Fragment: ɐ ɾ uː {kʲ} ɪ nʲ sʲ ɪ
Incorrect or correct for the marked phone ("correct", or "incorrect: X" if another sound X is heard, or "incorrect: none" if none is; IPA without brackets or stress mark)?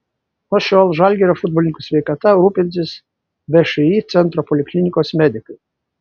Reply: incorrect: pʲ